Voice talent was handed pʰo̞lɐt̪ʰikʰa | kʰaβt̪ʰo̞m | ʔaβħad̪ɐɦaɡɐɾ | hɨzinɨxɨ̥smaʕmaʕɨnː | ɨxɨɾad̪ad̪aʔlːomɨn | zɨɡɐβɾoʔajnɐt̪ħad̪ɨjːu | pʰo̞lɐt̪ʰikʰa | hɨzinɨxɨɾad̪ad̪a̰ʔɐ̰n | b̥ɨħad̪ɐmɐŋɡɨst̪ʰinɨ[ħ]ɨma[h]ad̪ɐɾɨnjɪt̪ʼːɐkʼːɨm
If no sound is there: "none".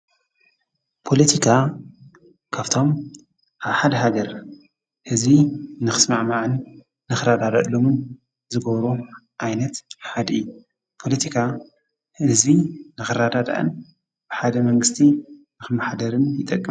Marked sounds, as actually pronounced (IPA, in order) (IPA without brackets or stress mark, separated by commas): x, ħ